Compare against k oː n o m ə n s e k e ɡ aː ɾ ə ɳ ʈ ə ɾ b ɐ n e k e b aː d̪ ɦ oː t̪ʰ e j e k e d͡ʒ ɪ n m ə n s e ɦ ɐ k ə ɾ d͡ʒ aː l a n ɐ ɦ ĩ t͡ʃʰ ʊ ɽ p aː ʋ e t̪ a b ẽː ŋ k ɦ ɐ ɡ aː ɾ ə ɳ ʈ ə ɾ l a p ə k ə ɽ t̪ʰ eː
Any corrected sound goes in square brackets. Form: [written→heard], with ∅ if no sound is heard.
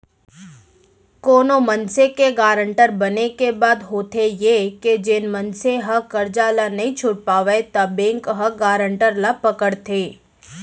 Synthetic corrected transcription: k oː n o m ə n s e k e ɡ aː ɾ ə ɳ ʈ ə ɾ b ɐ n e k e b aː d̪ ɦ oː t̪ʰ e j e k e d͡ʒ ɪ n m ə n s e ɦ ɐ k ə ɾ d͡ʒ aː l a n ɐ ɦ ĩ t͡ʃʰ ʊ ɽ p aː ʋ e t̪ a b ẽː ŋ k ɦ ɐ ɡ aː ɾ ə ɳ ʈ ə ɾ l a p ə k ə ɽ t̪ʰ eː